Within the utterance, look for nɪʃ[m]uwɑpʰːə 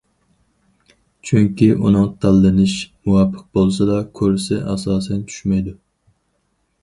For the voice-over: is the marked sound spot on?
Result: yes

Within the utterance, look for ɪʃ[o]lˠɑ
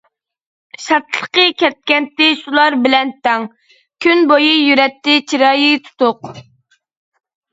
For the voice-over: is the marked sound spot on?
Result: no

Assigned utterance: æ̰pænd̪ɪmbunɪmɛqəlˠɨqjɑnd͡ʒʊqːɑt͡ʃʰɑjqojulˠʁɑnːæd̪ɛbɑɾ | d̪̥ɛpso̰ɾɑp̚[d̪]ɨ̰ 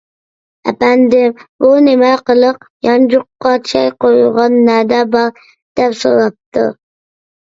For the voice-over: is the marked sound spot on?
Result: no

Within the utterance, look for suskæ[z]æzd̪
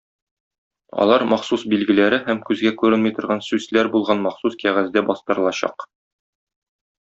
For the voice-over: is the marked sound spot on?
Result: no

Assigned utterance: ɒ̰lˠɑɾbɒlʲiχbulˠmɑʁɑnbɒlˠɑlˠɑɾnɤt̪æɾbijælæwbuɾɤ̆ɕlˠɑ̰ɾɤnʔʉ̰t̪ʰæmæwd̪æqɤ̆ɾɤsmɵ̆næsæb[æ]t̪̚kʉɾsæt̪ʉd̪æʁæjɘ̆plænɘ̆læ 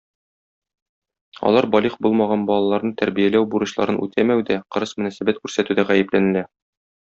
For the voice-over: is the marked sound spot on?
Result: yes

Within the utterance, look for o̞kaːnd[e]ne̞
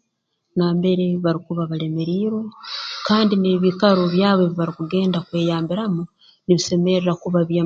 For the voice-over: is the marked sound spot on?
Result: no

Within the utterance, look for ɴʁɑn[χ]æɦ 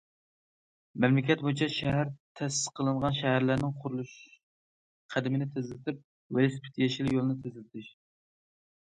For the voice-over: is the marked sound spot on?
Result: no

